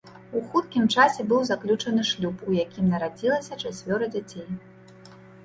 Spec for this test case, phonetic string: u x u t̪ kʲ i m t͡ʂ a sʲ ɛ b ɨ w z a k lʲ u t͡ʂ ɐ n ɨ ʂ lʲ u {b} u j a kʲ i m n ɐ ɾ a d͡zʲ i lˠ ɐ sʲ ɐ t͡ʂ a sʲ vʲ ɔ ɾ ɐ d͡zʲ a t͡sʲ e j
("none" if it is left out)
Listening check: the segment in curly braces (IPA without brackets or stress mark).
p